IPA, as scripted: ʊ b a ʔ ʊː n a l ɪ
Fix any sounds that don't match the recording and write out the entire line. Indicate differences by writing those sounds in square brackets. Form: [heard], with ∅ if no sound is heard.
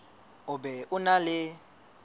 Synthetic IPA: ʊ b [ɛ] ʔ [ʊ] n a l ɪ